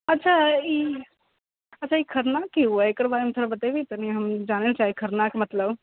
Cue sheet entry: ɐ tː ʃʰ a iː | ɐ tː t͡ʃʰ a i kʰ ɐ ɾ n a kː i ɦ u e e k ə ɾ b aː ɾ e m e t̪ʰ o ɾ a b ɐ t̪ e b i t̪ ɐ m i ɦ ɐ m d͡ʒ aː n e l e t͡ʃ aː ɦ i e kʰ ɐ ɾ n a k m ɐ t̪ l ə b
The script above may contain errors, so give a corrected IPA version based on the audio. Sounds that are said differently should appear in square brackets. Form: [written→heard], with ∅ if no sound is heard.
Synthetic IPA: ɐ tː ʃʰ a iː | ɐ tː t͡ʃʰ a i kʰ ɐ ɾ n a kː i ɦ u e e k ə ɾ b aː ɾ e m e t̪ʰ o ɾ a b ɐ t̪ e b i t̪ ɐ [m→n] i ɦ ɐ m d͡ʒ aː n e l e t͡ʃ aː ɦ i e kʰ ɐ ɾ n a k m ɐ t̪ l ə b